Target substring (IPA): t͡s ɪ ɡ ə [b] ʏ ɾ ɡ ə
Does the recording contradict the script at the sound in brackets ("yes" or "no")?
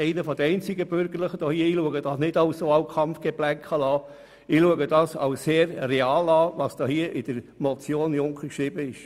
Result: no